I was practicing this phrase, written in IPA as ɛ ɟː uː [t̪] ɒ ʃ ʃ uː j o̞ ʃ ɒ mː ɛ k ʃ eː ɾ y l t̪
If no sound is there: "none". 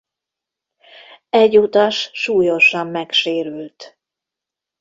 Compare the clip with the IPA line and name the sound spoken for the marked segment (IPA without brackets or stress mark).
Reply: t̪